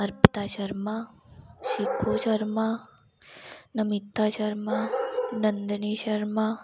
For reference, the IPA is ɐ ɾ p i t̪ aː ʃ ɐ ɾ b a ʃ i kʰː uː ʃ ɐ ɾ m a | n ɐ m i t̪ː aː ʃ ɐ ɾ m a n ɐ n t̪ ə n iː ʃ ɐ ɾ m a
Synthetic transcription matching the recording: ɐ ɾ p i t̪ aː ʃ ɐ ɾ m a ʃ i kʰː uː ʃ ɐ ɾ m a | n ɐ m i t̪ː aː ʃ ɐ ɾ m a n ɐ n d̪ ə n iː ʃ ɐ ɾ m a